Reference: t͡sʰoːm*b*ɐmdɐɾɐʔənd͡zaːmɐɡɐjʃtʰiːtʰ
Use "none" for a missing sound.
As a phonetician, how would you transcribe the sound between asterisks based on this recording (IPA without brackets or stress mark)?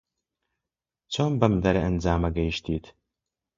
b